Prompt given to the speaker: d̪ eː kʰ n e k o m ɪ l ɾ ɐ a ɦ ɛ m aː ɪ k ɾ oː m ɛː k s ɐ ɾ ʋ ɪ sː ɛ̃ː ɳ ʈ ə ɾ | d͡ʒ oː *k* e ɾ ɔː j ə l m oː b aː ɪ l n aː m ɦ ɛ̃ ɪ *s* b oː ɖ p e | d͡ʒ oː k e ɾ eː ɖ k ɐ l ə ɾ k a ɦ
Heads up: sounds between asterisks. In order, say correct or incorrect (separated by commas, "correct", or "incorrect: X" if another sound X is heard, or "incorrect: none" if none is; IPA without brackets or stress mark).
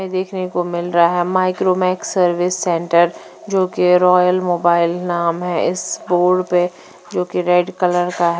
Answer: correct, correct